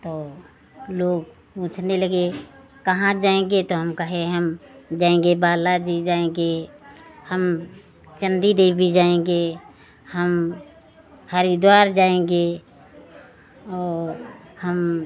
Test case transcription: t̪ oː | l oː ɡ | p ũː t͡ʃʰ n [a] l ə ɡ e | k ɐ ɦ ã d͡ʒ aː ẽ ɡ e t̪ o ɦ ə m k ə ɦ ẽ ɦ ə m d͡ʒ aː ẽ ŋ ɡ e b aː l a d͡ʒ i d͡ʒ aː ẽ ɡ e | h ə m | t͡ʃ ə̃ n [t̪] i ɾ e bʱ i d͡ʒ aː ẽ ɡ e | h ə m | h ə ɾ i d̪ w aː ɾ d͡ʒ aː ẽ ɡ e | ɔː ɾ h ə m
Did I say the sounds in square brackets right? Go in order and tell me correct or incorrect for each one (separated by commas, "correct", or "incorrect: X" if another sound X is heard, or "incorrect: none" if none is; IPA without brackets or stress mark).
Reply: incorrect: e, incorrect: d̪